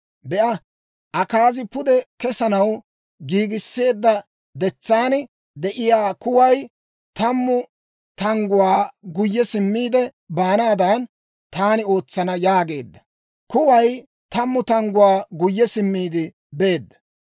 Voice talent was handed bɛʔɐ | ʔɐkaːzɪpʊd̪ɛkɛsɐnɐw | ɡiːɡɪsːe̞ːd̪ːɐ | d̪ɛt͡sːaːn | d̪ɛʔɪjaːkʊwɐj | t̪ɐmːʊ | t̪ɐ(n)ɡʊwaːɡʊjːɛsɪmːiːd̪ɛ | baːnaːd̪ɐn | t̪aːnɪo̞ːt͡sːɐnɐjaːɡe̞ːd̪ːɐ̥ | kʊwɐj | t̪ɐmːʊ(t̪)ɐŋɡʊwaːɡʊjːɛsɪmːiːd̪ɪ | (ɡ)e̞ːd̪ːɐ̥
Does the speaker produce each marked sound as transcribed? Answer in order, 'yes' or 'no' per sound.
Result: no, yes, no

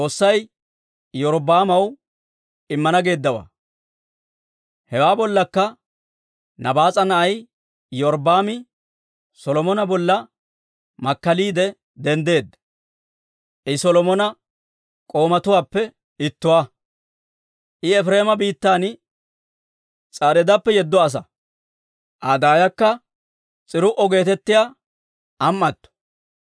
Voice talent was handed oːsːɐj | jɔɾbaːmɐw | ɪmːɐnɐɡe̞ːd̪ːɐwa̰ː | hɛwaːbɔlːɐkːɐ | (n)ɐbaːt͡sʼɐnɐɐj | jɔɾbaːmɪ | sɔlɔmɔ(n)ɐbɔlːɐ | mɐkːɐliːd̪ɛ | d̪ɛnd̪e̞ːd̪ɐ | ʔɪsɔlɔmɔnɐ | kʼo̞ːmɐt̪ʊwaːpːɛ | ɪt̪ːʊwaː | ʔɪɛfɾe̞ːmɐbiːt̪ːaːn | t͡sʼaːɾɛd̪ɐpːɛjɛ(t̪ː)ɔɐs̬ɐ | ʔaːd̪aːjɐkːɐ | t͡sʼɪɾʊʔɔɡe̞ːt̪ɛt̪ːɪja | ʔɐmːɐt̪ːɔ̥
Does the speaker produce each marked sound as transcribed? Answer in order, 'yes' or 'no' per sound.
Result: yes, yes, no

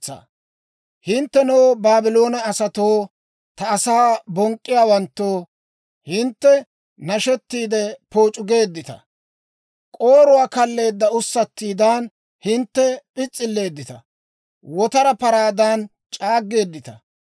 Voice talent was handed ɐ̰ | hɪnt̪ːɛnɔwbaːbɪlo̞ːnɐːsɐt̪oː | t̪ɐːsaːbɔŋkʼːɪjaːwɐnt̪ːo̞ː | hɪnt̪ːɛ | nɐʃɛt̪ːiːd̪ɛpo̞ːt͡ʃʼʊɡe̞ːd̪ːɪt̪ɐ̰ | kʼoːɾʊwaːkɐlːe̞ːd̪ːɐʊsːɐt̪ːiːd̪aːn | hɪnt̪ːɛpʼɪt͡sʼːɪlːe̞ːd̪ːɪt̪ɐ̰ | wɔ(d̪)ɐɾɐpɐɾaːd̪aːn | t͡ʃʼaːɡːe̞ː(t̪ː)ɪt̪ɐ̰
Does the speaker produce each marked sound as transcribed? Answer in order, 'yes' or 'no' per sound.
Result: no, no

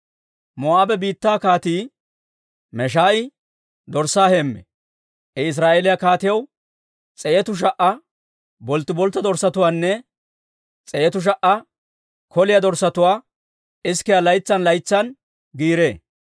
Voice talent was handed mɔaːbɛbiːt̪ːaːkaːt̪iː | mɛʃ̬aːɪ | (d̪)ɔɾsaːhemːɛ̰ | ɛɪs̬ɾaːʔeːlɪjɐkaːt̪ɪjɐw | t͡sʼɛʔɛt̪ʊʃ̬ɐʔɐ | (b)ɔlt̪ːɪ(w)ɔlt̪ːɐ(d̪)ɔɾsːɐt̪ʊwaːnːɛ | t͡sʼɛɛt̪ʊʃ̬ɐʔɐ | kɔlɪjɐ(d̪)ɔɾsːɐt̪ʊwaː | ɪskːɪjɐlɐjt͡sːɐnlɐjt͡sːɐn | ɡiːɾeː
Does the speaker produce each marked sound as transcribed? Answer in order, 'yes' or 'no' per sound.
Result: yes, yes, no, yes, yes

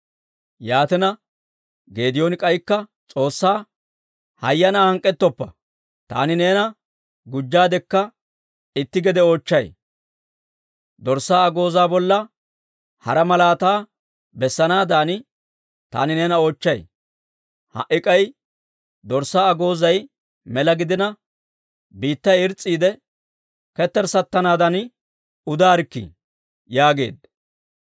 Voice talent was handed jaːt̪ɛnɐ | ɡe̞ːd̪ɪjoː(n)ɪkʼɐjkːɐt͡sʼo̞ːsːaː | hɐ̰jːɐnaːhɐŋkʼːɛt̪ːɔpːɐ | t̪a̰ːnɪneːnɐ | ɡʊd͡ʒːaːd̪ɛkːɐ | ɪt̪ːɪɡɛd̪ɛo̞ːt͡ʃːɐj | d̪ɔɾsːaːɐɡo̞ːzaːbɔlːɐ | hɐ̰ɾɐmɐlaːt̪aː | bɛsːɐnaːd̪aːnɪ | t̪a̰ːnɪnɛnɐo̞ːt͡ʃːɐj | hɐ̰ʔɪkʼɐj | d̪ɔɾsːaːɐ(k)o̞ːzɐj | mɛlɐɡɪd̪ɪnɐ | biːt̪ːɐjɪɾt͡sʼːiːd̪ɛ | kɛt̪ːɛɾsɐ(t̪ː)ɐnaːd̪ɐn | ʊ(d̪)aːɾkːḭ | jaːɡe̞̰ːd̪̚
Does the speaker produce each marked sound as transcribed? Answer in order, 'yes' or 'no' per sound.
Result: yes, no, yes, yes

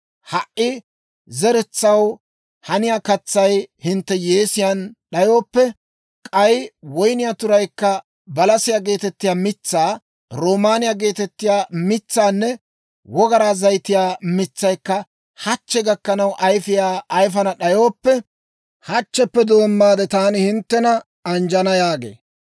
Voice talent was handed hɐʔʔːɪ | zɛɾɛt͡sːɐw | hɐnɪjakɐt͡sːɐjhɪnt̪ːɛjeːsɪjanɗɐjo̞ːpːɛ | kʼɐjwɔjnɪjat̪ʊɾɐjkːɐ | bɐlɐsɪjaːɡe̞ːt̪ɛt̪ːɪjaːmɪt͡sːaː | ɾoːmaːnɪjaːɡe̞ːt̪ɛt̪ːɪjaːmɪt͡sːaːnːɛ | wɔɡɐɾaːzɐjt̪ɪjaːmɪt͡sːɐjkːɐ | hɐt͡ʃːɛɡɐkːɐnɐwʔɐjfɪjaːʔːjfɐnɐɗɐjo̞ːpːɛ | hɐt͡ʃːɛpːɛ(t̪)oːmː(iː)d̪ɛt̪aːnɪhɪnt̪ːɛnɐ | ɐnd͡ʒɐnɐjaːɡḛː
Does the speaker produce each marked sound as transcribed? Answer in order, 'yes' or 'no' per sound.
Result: no, no

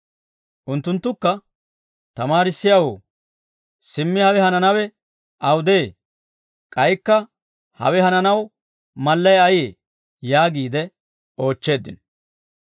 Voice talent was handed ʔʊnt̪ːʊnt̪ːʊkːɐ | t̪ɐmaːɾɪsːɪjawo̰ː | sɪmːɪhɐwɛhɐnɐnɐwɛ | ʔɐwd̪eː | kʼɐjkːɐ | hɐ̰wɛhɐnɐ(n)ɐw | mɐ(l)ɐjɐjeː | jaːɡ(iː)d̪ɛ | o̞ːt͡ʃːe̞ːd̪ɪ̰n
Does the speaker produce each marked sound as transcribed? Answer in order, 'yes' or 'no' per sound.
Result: yes, no, yes

